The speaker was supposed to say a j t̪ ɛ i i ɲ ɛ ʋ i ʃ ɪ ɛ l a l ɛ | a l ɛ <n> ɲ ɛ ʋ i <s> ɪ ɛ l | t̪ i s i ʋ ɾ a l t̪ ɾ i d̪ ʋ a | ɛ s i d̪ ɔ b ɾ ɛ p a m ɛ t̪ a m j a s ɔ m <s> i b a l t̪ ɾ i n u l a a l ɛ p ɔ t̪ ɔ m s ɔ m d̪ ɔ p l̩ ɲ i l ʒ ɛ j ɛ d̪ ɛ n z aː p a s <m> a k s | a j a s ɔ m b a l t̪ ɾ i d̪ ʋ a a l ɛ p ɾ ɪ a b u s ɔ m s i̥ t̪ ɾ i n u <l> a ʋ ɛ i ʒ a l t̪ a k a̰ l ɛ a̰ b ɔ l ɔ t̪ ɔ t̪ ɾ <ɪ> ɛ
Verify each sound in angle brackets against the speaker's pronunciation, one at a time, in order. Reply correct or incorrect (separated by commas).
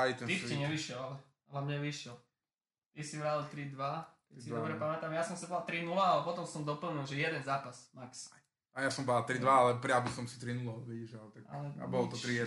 incorrect, incorrect, correct, correct, correct, incorrect